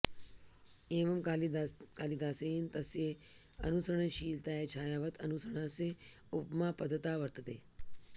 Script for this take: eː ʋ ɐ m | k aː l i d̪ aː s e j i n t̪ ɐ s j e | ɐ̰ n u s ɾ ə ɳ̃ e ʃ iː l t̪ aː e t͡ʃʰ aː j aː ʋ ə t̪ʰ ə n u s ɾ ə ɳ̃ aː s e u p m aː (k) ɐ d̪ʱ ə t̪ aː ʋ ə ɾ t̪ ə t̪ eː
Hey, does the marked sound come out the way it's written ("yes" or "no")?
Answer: no